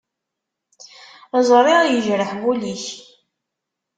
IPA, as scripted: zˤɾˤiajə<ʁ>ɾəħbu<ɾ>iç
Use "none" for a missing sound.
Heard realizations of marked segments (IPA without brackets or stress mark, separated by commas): ʒ, l